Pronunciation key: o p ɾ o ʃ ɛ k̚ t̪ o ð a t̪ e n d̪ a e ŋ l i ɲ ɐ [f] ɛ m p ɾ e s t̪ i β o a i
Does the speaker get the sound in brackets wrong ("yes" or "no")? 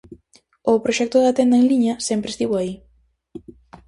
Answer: yes